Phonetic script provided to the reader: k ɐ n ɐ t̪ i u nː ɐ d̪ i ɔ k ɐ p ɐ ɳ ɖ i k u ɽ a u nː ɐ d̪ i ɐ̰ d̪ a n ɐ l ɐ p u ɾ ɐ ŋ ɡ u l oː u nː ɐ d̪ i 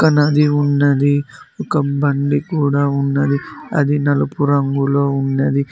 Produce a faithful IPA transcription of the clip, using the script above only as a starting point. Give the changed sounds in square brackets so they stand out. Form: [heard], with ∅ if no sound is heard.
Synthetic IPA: k ɐ n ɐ [d̪] i u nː ɐ d̪ i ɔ k ɐ [b] ɐ ɳ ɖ i k [uː] ɽ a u nː ɐ d̪ i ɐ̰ d̪ [i] n ɐ l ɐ p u ɾ ɐ ŋ ɡ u l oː u nː ɐ d̪ i